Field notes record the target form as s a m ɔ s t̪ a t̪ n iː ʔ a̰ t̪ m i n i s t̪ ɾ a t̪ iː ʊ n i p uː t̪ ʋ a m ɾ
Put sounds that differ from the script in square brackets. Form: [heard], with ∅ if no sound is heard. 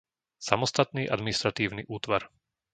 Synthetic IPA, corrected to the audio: s a m ɔ s t̪ a t̪ n iː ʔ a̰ [d̪] m i n i s t̪ ɾ a t̪ iː ʊ n i [ʔ] uː t̪ ʋ a [∅] ɾ